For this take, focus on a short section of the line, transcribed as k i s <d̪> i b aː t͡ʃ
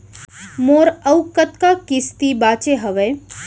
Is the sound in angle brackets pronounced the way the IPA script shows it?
no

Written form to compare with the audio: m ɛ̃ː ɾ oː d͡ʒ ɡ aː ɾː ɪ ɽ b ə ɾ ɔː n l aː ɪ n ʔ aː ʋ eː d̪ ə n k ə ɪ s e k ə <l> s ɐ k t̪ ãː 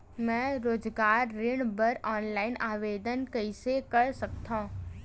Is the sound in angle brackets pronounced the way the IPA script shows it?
no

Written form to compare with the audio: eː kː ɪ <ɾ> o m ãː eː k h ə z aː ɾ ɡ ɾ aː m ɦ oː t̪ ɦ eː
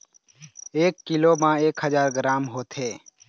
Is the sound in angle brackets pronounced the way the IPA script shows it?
no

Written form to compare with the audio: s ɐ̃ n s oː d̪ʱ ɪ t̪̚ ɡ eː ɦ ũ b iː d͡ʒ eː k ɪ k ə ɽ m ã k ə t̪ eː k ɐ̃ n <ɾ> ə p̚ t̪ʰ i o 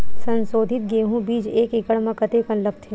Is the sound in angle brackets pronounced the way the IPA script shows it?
no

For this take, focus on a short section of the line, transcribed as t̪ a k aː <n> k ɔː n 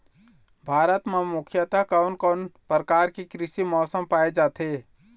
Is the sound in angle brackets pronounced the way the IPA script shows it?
yes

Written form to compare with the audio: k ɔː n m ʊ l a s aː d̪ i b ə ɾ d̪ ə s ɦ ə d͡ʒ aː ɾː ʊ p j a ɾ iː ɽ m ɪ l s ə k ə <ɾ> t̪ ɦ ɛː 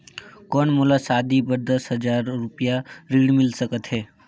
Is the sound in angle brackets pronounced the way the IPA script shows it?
no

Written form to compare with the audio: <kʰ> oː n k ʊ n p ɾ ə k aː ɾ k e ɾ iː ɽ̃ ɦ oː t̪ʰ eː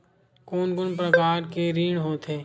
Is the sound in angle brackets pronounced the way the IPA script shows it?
no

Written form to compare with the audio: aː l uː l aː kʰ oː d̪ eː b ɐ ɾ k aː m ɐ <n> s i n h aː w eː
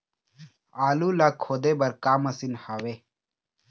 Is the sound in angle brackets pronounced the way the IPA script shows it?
no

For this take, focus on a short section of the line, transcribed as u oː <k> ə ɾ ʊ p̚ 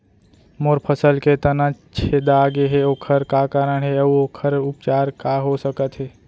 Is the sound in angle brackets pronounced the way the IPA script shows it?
no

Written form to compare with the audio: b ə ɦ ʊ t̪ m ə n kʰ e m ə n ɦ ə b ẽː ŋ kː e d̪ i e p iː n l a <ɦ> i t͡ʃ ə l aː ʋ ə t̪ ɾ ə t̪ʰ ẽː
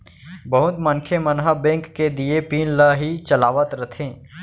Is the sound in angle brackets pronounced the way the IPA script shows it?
yes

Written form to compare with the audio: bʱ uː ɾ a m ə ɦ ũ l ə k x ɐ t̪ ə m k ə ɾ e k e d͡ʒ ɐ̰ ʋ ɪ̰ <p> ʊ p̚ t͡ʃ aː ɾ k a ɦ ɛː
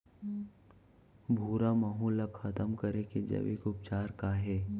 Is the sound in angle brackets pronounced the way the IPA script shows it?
no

